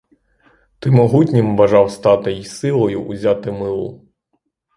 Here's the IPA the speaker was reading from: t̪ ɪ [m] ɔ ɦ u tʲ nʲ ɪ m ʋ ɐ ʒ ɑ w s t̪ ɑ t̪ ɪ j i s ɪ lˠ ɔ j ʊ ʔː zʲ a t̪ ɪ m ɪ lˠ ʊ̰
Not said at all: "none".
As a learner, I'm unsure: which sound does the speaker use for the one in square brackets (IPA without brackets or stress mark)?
m